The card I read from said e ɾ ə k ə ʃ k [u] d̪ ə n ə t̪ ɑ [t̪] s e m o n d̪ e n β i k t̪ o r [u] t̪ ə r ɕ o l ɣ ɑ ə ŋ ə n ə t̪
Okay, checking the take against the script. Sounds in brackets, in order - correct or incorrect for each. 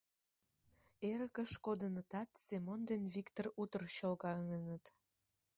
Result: incorrect, correct, correct

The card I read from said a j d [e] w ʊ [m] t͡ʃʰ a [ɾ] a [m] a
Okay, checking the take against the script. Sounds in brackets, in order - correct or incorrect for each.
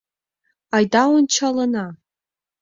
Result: incorrect, incorrect, incorrect, incorrect

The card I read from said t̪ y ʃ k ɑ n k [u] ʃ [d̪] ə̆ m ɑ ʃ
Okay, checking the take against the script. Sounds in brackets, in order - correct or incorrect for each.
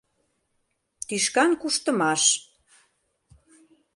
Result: correct, incorrect

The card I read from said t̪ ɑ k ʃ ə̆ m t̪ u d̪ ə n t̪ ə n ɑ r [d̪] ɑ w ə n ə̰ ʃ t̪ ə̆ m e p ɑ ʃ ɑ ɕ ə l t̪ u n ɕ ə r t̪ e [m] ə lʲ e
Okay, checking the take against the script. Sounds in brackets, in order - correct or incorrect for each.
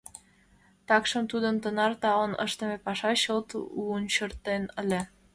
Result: incorrect, incorrect

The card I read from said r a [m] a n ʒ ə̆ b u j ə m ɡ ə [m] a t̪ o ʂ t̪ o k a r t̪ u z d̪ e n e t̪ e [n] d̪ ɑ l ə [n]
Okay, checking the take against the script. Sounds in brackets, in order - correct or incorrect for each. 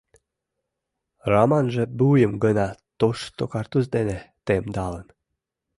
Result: correct, incorrect, incorrect, correct

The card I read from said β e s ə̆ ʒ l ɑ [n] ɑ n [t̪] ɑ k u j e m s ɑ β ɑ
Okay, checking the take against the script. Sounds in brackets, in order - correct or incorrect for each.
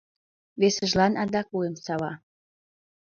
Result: correct, incorrect

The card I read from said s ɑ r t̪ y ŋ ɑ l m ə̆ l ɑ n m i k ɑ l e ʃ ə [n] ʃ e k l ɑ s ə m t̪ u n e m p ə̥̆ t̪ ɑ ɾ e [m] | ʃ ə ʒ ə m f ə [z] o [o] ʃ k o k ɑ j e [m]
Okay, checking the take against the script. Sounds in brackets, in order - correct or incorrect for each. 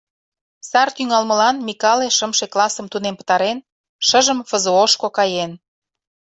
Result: incorrect, incorrect, correct, correct, incorrect

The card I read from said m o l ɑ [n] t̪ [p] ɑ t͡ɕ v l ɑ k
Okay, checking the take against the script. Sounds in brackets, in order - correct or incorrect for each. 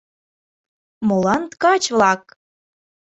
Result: correct, incorrect

